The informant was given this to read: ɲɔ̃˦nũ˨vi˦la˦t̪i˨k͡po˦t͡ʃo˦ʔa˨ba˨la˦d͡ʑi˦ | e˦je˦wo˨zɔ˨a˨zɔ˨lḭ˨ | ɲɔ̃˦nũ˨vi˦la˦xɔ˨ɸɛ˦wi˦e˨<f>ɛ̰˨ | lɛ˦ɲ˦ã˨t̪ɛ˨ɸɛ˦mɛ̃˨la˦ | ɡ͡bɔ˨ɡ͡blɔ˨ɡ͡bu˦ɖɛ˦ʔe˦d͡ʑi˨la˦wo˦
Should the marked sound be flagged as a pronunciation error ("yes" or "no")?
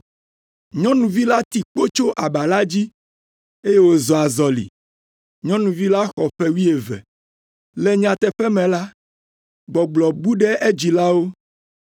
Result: yes